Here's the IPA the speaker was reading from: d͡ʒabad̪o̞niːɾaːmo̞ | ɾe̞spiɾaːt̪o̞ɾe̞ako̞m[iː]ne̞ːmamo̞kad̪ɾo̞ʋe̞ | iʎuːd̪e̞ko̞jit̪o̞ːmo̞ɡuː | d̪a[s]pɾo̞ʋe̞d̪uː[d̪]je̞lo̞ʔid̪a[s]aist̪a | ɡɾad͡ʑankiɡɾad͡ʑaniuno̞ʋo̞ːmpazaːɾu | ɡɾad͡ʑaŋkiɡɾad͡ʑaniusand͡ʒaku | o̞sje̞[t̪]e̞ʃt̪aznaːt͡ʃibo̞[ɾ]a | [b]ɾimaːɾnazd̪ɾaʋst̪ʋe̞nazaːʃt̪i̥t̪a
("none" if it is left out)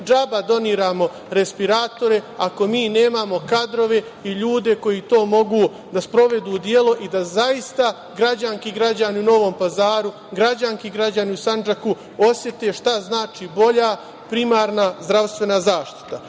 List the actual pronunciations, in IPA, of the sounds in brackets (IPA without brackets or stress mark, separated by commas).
iː, s, d̪, z, t̪, ʎ, p